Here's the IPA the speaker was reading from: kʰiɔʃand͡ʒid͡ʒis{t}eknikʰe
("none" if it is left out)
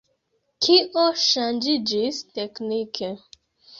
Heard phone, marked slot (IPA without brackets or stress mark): t